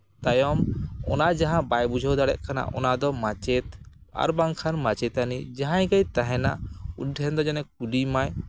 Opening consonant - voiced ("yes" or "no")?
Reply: no